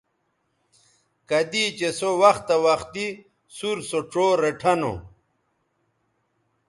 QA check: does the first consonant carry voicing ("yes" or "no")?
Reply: no